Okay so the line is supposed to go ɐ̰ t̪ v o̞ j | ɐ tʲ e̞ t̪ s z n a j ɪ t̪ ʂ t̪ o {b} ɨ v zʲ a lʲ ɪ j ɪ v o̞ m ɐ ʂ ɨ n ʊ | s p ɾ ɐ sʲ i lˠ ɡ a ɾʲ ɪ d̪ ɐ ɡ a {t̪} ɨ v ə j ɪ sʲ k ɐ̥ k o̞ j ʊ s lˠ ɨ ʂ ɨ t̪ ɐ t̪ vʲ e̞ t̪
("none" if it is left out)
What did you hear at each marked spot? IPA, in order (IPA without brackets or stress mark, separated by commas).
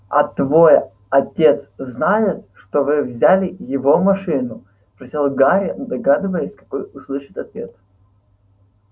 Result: v, d̪